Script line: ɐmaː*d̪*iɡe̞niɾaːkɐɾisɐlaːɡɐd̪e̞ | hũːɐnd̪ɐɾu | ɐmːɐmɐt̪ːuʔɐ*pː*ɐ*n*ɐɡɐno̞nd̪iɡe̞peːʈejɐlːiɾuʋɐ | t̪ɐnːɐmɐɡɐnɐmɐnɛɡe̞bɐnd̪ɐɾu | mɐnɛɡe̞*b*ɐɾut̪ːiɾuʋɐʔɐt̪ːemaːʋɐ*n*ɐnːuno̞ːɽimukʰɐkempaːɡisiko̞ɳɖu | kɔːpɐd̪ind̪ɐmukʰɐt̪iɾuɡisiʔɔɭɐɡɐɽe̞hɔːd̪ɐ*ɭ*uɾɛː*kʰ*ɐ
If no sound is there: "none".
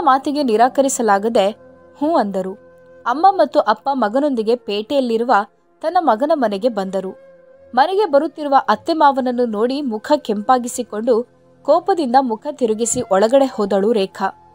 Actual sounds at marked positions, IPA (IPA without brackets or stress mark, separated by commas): t̪, pː, m, b, n, ɭ, kʰ